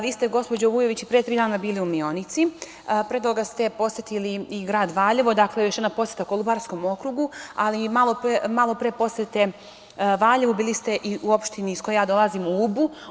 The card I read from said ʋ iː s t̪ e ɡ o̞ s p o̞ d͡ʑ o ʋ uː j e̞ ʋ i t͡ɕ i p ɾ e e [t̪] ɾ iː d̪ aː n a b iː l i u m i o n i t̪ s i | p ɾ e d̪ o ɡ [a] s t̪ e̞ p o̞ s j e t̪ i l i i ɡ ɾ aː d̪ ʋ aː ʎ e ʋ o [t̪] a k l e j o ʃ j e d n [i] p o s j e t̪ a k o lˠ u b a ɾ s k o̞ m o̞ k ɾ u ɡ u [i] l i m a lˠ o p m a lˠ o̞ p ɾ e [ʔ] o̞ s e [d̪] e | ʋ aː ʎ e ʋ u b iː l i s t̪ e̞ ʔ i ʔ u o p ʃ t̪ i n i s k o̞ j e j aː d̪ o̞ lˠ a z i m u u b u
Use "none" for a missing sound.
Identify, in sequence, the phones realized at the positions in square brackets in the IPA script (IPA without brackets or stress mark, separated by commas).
t̪, a, d̪, a, a, p, t̪